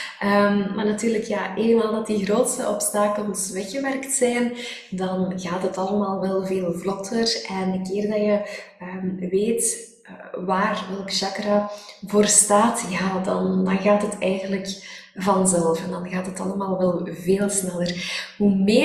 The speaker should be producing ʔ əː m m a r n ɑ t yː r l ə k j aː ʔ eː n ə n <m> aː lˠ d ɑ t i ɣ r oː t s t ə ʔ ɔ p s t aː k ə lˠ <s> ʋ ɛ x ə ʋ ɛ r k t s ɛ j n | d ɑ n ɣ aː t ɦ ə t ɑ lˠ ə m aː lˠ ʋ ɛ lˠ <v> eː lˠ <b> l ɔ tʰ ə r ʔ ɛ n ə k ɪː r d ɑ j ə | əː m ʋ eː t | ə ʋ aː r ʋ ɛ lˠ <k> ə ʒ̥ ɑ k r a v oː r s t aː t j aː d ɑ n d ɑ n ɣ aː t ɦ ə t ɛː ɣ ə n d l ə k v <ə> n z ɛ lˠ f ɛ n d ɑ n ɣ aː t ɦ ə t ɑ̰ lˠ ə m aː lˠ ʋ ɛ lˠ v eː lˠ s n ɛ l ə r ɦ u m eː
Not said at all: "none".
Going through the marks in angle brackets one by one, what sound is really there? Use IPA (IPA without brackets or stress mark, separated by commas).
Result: m, s, v, v, k, ɑ